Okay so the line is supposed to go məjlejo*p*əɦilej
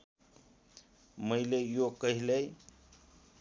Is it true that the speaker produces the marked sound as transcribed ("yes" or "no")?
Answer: no